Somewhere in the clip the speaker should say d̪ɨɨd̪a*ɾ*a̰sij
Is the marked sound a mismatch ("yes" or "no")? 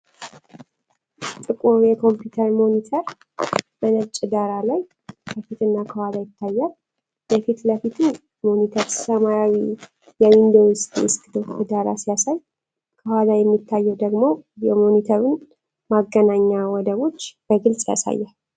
no